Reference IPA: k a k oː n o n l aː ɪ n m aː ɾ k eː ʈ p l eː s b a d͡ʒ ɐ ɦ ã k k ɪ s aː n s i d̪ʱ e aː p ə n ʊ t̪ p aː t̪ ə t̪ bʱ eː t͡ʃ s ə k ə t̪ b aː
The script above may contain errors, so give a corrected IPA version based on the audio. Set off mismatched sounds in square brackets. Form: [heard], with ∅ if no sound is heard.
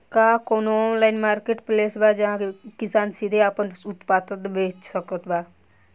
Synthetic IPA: k a k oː n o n l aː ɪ n m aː ɾ k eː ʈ p l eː s b a d͡ʒ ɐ ɦ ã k k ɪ s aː n s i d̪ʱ e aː p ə n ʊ t̪ p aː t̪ ə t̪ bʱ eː t͡ʃ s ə k ə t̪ b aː